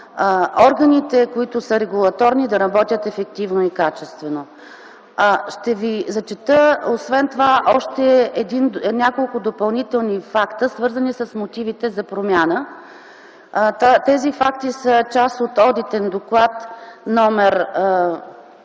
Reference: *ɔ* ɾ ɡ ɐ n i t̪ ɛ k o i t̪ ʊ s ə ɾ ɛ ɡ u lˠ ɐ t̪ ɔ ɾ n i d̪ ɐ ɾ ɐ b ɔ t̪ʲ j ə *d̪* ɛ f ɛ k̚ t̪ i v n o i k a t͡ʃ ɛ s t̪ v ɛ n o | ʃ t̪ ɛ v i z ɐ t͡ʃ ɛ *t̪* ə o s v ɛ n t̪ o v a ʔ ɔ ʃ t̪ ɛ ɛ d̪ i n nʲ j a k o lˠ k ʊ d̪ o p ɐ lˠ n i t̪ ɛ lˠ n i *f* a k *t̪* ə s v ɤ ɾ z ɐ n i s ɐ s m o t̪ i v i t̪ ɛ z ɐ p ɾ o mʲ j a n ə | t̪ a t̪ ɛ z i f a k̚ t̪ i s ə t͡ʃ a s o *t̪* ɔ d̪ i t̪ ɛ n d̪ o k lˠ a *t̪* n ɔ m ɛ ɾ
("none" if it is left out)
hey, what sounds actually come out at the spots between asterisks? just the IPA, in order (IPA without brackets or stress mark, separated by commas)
ɔ, t̪, t̪, f, t̪, t̪, t̪